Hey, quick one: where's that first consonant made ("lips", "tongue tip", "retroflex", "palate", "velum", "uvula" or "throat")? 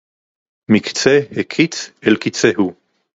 lips